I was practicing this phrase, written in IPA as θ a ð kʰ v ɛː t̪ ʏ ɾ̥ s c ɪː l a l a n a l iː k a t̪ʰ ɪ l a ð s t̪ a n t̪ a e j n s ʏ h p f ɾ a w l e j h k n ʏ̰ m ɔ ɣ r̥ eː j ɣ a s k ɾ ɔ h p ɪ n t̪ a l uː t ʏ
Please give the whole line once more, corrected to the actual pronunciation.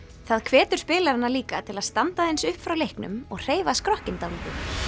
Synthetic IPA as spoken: θ a ð kʰ v ɛː t̪ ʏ ɾ̥ s p ɪː l a ɾ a n a l iː k a t̪ʰ ɪ l a ð s t̪ a n t̪ a e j n s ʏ h p f ɾ a w l e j h k n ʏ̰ m ɔ ɣ r̥ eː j v a s k ɾ ɔ h c ɪ n t̪ a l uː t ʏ

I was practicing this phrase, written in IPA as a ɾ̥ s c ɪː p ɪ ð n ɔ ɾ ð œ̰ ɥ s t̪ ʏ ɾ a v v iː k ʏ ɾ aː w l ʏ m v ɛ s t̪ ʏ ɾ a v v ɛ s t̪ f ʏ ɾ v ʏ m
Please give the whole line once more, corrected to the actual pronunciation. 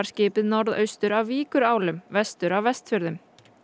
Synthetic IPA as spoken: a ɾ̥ s c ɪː p ɪ ð n ɔ ɾ ð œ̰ ɥ s t̪ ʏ ɾ a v v iː k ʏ ɾ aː w l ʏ m v ɛ s t̪ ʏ ɾ a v v ɛ s t̪ f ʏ ɾ ð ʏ m

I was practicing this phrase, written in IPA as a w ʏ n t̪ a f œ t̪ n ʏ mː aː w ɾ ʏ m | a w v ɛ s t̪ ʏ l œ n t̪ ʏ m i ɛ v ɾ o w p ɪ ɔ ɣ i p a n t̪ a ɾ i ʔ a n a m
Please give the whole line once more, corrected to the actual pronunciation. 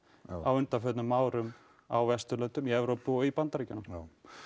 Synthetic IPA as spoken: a w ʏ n t̪ a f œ t̪ n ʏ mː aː w ɾ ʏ m | a w v ɛ s t̪ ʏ l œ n t̪ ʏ m i ɛ v ɾ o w p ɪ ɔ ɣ i p a n t̪ a ɾ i c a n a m

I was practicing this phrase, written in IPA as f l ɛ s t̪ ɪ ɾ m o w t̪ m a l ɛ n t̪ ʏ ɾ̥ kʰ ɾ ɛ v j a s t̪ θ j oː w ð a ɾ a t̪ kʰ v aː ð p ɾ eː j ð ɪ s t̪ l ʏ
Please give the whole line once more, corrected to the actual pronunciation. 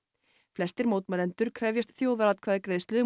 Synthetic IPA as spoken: f l ɛ s t̪ ɪ ɾ m o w t̪ m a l ɛ n t̪ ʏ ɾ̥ kʰ ɾ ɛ v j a s t̪ θ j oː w ð a ɾ a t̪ kʰ v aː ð k ɾ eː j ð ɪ s t̪ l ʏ

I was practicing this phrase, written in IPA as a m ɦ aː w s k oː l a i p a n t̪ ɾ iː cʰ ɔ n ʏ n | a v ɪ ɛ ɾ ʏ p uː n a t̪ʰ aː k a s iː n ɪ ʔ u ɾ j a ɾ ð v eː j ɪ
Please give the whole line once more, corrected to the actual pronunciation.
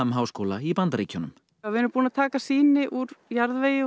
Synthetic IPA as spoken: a m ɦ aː w s k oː l a i p a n t̪ ɾ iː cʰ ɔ n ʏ m | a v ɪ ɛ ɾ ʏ p uː n a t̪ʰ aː k a s iː n ɪ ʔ u ɾ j a ɾ ð v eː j ɪ

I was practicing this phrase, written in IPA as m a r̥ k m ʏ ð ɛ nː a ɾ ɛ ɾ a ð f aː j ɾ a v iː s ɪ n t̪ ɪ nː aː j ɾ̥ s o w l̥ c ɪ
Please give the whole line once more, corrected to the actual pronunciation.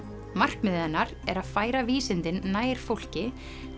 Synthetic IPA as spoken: m a r̥ k m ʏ ð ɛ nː a ɾ ɛ ɾ a ð f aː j ɾ a v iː s ɪ n t̪ ɪ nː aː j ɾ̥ f o w l̥ c ɪ

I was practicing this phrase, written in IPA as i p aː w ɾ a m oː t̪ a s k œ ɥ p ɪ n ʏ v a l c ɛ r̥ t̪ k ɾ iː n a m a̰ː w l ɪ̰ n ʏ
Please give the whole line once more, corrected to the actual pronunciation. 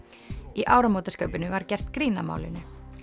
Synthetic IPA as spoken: i ʔ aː w ɾ a m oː t̪ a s k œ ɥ p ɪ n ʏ v a ɾ c ɛ r̥ t̪ k ɾ iː n a m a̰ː w l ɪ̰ n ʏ

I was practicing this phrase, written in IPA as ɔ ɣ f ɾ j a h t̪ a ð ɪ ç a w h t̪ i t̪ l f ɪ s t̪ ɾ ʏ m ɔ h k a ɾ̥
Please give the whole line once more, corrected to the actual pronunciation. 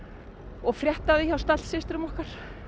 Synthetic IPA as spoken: ɔ ɣ f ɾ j ɛ h t̪ a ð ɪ ç a w s t̪ a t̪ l s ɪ s t̪ ɾ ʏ m ɔ h k a ɾ̥

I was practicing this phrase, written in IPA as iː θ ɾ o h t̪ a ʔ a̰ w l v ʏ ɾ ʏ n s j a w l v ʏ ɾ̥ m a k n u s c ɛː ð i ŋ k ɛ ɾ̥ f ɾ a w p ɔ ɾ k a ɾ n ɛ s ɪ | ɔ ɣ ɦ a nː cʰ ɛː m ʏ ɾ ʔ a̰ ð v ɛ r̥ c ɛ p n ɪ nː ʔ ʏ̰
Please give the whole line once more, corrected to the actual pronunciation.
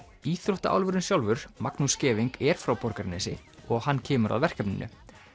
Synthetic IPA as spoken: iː θ ɾ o h t̪ a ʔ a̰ w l v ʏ ɾ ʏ n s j a w l v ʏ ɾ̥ m a k n u s c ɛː v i ŋ k ɛ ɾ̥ f ɾ a w p ɔ ɾ k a ɾ n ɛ s ɪ | ɔ ɣ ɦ a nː cʰ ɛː m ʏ ɾ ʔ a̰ ð v ɛ r̥ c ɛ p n ɪ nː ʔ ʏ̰

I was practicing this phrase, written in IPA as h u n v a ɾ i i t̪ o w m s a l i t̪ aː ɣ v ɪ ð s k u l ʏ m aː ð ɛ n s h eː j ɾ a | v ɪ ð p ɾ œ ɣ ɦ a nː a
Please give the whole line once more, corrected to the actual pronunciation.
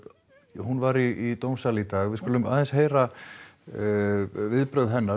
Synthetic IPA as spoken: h u n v a ɾ i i t̪ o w m s a l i t̪ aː ɣ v ɪ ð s k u l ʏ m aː ð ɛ n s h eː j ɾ a | v ɪ ð p ɾ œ ð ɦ ɛ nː a

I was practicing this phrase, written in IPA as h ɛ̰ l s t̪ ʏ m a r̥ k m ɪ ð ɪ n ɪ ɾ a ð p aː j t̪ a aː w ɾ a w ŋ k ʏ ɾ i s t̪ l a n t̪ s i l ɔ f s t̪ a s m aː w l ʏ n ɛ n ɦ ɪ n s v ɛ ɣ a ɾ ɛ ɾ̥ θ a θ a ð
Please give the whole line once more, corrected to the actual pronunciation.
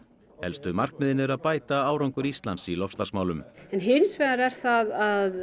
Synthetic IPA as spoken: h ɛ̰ l s t̪ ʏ m a r̥ k m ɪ ð ɪ n ɪ ɾ a ð p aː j t̪ a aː w ɾ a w ŋ k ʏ ɾ i s t̪ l a n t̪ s i l ɔ f s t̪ a s m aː w l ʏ m ɛ n ɦ ɪ n s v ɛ ð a ɾ ɛ ɾ̥ θ a ð a ð

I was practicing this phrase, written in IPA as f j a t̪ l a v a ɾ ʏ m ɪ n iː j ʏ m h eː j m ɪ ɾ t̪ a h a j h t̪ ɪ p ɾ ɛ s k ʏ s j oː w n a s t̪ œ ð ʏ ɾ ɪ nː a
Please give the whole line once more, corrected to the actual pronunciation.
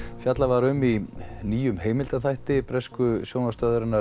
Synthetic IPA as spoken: f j a t̪ l a v a ɾ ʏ m i n iː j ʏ m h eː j m ɪ l t̪ a θ a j h t̪ ɪ p ɾ ɛ s k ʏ s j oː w n a s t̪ œ ð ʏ ɾ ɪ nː a

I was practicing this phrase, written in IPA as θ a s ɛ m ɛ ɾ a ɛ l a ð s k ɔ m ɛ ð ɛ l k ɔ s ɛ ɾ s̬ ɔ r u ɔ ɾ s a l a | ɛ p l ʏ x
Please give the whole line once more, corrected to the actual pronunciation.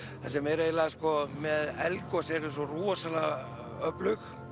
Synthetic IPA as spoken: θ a s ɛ m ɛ ɾ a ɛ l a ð s k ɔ m ɛ ð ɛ l k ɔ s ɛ ɾ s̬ ɔ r u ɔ s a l a | œ p l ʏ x

